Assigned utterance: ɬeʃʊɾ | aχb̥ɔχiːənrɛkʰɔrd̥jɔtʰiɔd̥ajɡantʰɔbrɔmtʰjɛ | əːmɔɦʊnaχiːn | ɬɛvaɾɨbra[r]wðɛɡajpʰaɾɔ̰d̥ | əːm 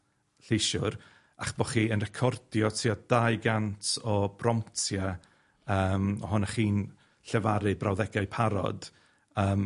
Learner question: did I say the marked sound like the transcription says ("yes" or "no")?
no